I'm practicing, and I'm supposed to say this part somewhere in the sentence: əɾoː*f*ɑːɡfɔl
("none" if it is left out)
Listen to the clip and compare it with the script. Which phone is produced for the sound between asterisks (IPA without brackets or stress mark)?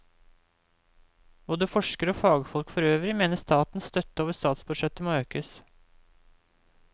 f